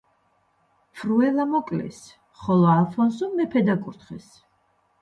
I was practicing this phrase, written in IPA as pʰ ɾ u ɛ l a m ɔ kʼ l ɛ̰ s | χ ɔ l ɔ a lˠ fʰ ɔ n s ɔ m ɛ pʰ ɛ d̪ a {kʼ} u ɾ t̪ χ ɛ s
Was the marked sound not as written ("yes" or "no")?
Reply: no